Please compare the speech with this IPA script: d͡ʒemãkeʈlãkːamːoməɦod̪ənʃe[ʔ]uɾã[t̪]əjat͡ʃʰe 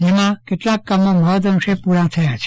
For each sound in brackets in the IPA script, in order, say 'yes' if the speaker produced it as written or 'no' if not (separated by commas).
no, no